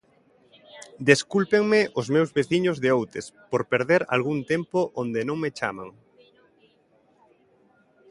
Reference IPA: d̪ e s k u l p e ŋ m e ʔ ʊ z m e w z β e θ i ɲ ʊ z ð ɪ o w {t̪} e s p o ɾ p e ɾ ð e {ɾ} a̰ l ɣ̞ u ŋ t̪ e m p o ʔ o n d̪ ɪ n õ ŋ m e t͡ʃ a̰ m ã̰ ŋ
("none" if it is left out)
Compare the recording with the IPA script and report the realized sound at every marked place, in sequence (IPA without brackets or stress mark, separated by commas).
t̪, ɾ